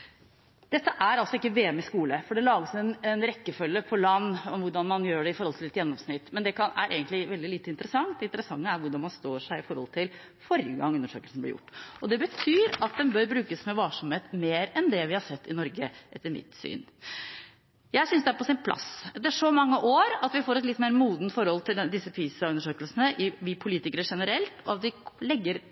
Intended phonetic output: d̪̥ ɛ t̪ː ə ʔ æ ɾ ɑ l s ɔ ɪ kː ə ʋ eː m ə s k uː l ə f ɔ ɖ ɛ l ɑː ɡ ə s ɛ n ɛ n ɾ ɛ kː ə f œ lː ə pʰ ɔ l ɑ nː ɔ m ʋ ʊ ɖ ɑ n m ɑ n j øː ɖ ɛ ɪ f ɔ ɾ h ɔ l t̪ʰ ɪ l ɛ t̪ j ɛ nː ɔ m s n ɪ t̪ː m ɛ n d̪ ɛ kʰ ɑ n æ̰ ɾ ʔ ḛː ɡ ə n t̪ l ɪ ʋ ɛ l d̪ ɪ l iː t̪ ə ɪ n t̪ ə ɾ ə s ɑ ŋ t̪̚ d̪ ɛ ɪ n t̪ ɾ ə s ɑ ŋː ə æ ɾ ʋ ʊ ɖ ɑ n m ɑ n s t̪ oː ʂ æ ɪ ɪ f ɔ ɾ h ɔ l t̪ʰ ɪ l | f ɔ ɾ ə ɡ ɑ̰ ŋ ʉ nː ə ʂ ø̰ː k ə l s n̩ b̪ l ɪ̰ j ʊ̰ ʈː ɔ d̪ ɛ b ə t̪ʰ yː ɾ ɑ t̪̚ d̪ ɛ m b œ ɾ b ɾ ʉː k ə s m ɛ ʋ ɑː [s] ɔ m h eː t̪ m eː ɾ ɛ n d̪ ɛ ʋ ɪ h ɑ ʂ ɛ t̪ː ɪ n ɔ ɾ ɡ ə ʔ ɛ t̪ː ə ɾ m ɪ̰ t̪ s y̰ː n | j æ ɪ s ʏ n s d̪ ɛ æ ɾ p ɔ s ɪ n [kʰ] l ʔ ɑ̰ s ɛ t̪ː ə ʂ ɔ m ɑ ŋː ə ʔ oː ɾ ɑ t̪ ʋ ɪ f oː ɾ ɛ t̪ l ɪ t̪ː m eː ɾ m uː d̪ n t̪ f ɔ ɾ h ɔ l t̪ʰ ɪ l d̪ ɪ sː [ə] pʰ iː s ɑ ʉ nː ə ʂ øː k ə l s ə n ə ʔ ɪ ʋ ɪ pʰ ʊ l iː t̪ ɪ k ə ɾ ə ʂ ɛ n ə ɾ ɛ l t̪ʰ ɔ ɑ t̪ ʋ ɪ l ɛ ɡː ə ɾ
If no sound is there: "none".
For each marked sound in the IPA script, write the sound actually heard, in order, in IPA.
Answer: ʂ, pʰ, ə

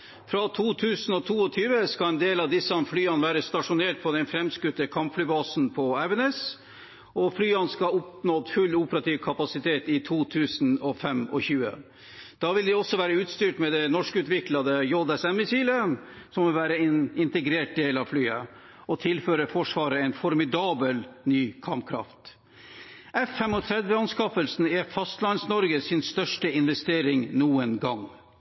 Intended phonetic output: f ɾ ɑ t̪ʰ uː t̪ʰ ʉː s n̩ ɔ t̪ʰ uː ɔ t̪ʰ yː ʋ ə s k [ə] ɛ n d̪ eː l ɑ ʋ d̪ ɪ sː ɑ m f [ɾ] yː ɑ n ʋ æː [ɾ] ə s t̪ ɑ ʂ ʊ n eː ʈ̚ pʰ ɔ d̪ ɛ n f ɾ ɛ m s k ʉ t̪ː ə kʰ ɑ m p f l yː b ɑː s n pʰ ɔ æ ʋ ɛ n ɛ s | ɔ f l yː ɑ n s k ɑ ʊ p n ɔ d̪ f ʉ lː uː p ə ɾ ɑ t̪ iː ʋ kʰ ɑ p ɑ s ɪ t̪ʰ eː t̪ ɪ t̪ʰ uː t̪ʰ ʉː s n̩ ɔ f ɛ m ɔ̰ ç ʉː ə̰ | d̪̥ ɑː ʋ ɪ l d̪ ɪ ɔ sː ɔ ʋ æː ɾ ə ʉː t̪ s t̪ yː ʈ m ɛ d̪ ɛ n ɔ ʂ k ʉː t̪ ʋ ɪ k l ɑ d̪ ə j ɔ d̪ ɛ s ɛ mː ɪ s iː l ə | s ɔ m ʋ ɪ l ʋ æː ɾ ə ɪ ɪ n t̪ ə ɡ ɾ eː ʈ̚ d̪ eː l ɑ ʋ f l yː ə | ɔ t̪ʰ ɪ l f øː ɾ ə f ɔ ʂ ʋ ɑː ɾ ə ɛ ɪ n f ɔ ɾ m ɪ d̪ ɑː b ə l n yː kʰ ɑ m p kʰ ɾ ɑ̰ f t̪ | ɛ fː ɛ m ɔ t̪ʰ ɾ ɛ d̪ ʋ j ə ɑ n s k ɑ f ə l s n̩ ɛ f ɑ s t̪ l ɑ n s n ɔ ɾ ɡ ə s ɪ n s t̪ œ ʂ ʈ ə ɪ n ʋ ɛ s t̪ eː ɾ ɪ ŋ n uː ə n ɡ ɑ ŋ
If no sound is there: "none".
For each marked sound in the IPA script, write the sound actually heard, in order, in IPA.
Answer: ɑ, l, ɾ

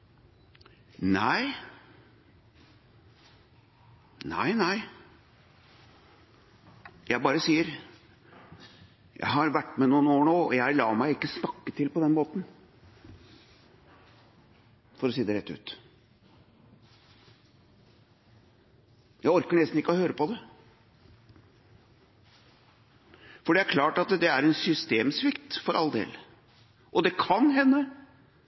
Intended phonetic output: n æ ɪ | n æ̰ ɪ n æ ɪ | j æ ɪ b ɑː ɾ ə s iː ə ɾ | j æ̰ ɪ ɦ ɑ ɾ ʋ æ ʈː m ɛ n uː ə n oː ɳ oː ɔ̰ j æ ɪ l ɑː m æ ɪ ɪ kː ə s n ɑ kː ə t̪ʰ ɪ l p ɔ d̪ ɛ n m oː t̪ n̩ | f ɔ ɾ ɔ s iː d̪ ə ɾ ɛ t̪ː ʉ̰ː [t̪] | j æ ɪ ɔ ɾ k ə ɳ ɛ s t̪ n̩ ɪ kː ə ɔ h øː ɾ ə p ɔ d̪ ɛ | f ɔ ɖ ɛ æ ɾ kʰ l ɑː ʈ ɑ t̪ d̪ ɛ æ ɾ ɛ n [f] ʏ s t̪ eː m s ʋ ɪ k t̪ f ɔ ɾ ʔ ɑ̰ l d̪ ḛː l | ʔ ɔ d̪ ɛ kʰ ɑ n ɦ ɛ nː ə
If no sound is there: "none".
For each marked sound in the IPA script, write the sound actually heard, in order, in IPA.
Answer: t̪, s

